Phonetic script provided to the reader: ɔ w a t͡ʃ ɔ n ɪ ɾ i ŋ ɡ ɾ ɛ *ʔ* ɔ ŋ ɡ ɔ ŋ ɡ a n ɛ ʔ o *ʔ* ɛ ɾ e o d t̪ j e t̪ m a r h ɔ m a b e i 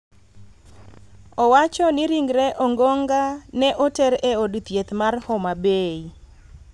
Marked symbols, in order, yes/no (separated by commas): yes, no